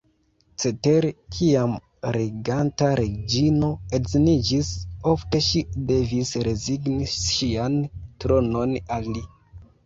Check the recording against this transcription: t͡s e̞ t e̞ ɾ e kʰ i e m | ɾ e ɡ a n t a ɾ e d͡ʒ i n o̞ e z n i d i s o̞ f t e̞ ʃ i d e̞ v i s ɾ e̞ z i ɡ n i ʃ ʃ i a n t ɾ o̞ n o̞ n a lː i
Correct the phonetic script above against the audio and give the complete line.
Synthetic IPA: t͡s e̞ t e̞ ɾ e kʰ i a m | ɾ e ɡ a n t a ɾ e d͡ʒ i n o̞ e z n i d͡ʒ i s o̞ f t e̞ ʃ i d e̞ v i s ɾ e̞ z i ɡ n i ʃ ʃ i a n t ɾ o̞ n o̞ n a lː i